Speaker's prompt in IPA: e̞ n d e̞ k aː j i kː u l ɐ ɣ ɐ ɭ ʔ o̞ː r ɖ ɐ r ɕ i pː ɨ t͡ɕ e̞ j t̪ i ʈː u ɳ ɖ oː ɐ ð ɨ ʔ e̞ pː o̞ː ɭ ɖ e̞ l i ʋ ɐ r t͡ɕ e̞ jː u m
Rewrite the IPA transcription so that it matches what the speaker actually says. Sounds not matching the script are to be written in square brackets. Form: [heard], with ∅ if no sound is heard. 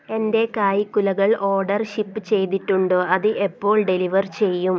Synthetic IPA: e̞ n d e̞ k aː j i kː u l ɐ ɣ ɐ ɭ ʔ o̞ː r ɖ ɐ r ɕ i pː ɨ t͡ɕ e̞ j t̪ i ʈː u ɳ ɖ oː ɐ ð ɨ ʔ e̞ pː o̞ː ɭ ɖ e̞ l i ʋ ɐ r t͡ɕ e̞ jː u m